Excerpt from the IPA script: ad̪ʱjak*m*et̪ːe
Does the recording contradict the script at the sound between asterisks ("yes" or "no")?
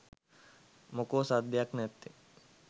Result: yes